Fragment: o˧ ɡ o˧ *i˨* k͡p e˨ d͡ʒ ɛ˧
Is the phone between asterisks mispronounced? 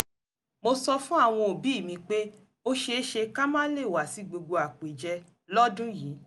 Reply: yes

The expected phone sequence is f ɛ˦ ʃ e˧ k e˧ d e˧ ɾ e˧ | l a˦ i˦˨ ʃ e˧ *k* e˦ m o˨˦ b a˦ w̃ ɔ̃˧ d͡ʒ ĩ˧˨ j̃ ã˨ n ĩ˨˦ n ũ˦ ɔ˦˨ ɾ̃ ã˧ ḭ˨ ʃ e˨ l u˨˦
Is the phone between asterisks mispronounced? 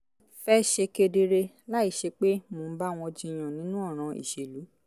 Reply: yes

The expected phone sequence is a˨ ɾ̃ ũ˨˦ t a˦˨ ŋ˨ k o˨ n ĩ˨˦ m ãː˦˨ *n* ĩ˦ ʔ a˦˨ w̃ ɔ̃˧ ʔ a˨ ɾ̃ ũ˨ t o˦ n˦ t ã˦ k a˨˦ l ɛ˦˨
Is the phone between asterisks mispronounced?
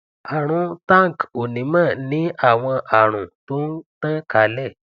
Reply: no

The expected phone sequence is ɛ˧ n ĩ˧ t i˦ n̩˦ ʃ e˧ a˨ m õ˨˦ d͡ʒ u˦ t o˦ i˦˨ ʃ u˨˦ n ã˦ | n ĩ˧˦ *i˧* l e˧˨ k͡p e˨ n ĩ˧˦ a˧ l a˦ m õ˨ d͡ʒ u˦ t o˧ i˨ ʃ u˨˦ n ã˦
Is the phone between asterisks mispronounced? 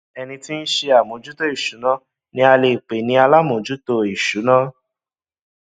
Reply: yes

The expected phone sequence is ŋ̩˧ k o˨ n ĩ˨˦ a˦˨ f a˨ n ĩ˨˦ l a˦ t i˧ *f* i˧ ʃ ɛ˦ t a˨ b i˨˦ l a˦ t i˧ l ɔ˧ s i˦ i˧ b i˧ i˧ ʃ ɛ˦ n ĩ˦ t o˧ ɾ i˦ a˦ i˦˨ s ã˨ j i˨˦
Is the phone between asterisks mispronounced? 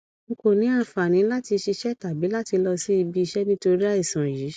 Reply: yes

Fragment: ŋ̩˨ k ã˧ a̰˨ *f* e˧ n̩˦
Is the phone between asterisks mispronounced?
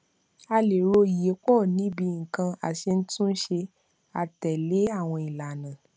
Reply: yes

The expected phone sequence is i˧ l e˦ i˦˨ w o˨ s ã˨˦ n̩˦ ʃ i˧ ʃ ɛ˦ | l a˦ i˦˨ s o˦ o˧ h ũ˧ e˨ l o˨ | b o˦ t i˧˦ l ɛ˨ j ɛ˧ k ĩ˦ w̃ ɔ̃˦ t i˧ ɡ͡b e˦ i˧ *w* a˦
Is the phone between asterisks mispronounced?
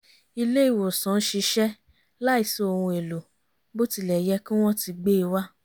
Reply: no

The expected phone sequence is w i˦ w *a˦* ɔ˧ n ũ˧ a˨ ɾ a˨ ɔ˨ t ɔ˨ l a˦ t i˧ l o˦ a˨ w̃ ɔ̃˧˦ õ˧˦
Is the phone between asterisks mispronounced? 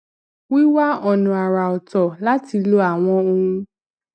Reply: no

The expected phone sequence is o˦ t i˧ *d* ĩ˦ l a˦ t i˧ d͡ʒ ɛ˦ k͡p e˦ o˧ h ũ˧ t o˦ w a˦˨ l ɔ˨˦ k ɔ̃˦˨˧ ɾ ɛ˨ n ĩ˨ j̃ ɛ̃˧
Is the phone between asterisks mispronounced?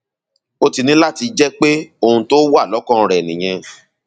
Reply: yes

